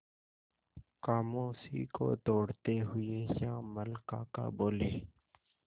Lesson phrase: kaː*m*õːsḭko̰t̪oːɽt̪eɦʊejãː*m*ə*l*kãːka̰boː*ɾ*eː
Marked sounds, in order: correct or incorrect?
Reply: correct, correct, correct, incorrect: l

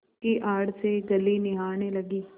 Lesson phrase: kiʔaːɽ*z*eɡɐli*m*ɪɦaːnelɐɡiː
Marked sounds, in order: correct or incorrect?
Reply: incorrect: s, incorrect: n

